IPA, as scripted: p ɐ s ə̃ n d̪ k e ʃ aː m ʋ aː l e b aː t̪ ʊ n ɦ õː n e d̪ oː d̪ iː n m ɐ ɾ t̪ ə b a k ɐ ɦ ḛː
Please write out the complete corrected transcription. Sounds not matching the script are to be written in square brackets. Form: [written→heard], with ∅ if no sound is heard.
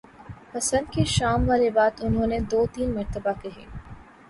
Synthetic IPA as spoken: p ɐ s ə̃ n d̪ k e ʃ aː m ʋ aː l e b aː t̪ ʊ n ɦ õː n e d̪ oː [d̪→t̪] iː n m ɐ ɾ t̪ ə b a k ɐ ɦ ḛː